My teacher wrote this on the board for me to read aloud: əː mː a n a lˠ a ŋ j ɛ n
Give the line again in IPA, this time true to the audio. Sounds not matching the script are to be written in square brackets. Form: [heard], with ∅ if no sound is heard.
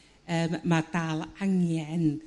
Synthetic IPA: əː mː a [d] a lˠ a ŋ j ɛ n